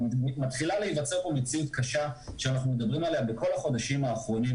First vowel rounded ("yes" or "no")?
no